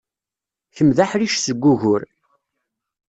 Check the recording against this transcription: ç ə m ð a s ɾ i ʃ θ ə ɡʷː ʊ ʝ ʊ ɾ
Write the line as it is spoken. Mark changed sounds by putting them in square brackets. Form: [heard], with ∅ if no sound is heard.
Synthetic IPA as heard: ç ə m ð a [ħ] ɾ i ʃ [s] ə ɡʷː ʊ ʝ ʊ ɾ